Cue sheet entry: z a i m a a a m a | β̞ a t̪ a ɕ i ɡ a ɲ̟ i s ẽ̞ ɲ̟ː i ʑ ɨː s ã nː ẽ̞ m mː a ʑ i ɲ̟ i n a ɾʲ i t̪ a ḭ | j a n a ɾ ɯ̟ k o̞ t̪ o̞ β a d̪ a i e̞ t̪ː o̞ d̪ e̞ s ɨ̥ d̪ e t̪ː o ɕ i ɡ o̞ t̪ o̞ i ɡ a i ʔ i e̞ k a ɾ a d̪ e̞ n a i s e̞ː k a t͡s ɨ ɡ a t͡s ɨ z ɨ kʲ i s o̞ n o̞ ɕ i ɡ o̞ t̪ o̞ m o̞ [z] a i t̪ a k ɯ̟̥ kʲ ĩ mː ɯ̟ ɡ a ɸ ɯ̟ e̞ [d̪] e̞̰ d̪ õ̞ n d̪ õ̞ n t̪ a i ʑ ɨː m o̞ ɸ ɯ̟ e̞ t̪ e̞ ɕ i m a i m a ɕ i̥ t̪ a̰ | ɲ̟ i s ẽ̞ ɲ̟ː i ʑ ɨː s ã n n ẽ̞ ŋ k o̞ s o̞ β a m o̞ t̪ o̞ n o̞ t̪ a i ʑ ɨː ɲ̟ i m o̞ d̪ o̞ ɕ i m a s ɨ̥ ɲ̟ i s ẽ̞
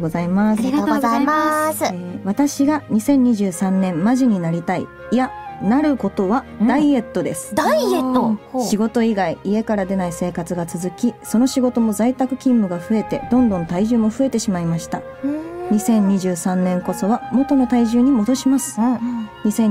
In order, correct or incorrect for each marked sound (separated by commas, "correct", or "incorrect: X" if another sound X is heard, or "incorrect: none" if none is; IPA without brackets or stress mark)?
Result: correct, incorrect: t̪